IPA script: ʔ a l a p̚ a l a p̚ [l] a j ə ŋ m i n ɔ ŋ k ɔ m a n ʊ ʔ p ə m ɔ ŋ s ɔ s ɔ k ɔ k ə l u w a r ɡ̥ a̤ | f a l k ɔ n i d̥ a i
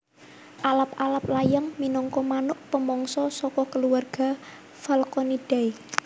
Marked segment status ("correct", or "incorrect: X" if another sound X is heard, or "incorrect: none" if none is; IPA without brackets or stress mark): correct